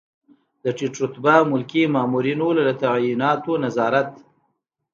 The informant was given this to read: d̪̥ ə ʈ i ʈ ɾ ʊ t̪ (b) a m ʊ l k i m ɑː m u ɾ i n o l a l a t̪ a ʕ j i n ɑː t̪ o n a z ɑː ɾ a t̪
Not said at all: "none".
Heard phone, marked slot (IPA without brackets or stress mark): b